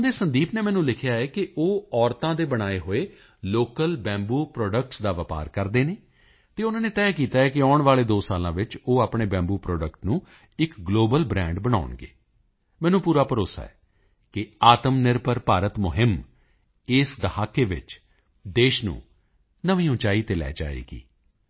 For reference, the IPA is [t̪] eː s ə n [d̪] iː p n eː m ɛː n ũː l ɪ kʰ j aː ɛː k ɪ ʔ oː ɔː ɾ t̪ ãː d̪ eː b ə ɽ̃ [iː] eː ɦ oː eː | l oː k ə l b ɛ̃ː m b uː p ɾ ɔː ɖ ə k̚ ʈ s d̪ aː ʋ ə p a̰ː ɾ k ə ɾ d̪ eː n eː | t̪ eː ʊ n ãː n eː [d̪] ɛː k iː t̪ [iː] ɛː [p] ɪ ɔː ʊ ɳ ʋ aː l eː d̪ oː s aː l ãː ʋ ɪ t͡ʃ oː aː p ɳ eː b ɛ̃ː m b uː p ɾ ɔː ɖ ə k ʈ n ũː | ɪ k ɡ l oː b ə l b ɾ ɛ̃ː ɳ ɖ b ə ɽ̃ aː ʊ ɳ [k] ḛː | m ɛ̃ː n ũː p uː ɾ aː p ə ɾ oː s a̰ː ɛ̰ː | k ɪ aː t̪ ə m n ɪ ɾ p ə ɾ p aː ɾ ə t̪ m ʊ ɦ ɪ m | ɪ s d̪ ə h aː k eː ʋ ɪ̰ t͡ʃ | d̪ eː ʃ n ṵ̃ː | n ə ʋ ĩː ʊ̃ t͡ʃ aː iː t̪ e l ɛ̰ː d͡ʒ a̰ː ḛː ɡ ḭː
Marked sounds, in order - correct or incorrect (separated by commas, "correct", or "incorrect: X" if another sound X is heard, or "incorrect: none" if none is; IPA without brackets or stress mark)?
incorrect: d̪, correct, incorrect: aː, incorrect: t̪, incorrect: aː, incorrect: k, incorrect: ɡ